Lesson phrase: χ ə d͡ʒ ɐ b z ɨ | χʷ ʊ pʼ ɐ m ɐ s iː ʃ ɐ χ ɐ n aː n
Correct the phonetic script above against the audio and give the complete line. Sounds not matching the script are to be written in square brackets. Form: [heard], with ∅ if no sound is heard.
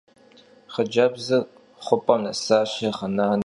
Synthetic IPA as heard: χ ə d͡ʒ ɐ b z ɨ | χʷ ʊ pʼ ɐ [n] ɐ s [aː] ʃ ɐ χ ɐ n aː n